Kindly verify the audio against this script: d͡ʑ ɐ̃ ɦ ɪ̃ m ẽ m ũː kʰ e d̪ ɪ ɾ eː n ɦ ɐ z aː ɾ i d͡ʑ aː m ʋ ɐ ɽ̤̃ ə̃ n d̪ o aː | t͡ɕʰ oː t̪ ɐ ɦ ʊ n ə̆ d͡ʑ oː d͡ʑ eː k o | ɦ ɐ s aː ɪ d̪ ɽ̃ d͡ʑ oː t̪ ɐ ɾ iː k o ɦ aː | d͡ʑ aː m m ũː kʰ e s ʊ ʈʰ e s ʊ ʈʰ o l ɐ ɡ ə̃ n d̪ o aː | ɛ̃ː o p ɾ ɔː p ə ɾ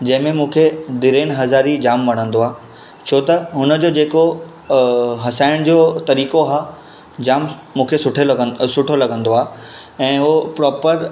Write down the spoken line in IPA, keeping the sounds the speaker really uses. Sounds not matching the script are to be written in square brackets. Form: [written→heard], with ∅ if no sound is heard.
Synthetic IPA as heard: d͡ʑ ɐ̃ ɦ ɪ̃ m ẽ m ũː kʰ e d̪ ɪ ɾ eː n ɦ ɐ z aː ɾ i d͡ʑ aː m ʋ ɐ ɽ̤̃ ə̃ n d̪ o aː | t͡ɕʰ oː t̪ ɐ ɦ ʊ n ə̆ d͡ʑ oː d͡ʑ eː k o | ɦ ɐ s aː ɪ [d̪→∅] ɽ̃ d͡ʑ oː t̪ ɐ ɾ iː k o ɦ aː | d͡ʑ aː m m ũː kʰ e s ʊ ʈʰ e s ʊ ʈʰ o l ɐ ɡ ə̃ n d̪ o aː | ɛ̃ː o p ɾ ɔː p ə ɾ

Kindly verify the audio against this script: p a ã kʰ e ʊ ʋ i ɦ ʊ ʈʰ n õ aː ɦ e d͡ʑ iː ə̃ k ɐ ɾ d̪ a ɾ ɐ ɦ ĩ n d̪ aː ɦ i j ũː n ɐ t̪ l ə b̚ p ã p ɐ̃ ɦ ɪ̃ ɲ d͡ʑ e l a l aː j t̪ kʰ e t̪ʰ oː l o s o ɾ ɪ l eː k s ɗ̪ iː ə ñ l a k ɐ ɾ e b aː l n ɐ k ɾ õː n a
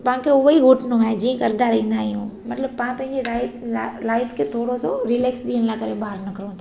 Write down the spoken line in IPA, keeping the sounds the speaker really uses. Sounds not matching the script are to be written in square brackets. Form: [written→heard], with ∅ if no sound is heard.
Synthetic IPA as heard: p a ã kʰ e ʊ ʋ i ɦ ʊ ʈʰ n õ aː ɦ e d͡ʑ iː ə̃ k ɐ ɾ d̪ a ɾ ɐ ɦ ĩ n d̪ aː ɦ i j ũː [n→m] ɐ t̪ l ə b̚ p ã p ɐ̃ ɦ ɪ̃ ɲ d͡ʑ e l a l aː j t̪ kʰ e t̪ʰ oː [l→ɽ] o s o ɾ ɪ l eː k s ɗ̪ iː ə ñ l a k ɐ ɾ e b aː [l→ɾ] n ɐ k ɾ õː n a

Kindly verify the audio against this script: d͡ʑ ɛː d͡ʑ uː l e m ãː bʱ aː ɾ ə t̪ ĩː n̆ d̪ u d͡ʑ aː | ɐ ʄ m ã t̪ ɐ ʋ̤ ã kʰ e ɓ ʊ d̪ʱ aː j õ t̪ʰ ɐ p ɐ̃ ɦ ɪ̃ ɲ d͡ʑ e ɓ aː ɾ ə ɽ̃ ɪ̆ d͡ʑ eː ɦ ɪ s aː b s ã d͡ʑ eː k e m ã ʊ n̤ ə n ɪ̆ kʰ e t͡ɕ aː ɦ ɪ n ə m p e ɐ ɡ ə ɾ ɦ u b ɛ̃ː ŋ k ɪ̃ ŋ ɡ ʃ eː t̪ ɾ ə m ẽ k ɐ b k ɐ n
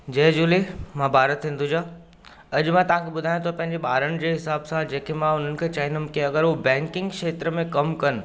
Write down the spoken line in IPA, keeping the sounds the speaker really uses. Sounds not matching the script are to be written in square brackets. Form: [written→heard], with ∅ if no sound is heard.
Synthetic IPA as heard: d͡ʑ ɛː d͡ʑ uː l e m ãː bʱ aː ɾ ə t̪ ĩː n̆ d̪ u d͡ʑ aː | ɐ ʄ m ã t̪ ɐ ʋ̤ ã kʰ e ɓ ʊ d̪ʱ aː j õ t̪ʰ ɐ p ɐ̃ ɦ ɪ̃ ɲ d͡ʑ e ɓ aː ɾ ə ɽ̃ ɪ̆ d͡ʑ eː ɦ ɪ s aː b s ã d͡ʑ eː k e m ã ʊ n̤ ə n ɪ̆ kʰ e t͡ɕ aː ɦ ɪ n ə m [p→k] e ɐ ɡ ə ɾ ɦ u b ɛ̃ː ŋ k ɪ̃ ŋ ɡ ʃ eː t̪ ɾ ə m ẽ k ɐ [b→m] k ɐ n

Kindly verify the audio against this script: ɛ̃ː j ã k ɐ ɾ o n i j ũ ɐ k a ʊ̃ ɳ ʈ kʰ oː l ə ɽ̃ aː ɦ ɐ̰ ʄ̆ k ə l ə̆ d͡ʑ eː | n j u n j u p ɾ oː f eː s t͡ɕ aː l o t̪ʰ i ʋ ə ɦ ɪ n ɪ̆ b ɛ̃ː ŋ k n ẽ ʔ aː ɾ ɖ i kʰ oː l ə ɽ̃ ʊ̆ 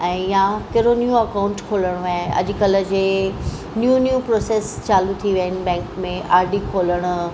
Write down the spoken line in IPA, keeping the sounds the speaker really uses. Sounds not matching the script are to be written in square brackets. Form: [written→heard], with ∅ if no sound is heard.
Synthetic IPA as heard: ɛ̃ː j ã k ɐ ɾ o n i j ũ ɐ k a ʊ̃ ɳ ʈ kʰ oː l ə ɽ̃ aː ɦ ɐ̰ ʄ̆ k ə l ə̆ d͡ʑ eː | n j u n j u p ɾ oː [f→s] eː s t͡ɕ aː l [o→u] t̪ʰ i ʋ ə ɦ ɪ n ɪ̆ b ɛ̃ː ŋ k [n→m] ẽ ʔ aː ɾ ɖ i kʰ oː l ə ɽ̃ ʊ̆

